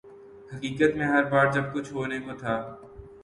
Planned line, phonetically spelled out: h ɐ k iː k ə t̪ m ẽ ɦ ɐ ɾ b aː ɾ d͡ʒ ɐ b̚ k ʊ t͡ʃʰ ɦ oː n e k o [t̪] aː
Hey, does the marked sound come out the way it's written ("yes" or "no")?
no